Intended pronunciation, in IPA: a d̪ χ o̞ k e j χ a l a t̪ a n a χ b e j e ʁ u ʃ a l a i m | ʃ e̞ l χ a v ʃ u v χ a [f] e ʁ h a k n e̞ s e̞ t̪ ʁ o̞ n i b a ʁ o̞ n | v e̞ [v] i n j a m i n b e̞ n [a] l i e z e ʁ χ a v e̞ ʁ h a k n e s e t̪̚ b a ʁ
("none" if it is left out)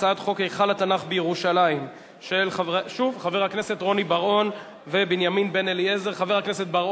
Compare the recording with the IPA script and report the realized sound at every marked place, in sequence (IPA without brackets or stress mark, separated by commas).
v, b, e